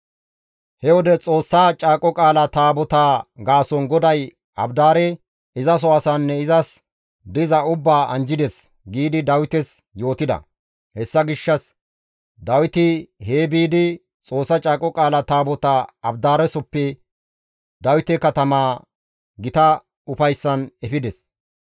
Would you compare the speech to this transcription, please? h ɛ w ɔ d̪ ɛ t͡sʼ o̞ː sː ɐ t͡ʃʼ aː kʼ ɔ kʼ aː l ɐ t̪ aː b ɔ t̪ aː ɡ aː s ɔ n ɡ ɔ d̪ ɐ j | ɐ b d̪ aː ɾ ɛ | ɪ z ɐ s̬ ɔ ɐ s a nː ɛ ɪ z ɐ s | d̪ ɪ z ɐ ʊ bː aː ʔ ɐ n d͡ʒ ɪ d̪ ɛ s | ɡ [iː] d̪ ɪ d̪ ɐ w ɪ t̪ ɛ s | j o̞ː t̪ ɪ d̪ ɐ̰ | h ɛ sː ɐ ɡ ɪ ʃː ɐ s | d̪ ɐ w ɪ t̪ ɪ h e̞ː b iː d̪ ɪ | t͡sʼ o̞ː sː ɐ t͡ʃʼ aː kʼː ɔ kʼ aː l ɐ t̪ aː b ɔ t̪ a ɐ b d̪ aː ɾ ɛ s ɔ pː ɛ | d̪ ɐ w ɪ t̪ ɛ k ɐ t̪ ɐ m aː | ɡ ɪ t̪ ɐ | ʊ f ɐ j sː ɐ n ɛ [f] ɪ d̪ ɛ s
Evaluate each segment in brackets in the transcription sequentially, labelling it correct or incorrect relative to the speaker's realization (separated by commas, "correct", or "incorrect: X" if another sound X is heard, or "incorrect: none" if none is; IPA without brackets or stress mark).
correct, correct